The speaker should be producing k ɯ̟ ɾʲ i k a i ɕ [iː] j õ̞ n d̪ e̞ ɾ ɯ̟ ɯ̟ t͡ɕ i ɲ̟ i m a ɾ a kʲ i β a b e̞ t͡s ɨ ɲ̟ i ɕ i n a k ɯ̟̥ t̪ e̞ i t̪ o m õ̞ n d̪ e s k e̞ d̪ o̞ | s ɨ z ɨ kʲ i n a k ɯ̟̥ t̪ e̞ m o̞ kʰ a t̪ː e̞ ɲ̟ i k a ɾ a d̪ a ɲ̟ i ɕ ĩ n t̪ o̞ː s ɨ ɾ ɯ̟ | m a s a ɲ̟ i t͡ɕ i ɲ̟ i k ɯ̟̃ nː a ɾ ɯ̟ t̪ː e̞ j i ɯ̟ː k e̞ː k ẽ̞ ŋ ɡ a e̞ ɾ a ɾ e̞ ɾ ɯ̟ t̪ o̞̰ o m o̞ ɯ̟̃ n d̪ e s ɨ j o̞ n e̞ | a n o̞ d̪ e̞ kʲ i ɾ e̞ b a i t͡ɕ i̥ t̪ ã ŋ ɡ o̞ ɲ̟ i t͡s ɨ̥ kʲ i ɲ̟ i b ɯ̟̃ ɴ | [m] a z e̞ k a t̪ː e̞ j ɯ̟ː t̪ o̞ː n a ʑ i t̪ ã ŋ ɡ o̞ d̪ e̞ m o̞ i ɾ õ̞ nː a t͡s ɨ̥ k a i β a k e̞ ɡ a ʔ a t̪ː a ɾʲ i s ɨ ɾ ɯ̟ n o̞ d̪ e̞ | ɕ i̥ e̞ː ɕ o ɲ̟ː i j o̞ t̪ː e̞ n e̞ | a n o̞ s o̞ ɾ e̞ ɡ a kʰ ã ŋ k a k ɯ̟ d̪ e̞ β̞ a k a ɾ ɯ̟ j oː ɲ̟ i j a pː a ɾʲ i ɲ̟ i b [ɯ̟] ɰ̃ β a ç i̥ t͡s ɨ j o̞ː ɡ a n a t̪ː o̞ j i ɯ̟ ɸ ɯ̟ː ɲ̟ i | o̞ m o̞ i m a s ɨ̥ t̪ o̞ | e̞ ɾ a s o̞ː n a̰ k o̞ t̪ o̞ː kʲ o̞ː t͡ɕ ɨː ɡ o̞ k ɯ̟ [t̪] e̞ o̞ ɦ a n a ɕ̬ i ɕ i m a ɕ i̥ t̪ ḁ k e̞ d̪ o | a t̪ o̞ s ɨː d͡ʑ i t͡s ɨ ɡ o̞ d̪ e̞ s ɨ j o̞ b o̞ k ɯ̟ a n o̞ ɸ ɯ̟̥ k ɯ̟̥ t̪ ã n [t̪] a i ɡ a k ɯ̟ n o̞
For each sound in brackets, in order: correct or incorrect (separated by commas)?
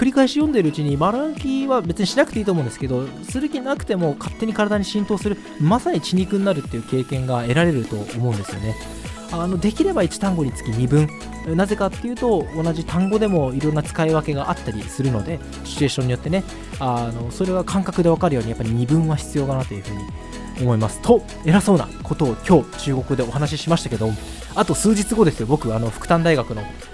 incorrect, incorrect, incorrect, incorrect, incorrect